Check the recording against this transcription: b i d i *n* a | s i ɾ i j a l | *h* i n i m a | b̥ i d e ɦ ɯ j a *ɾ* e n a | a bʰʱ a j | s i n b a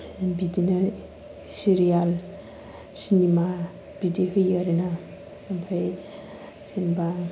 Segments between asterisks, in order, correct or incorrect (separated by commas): correct, incorrect, correct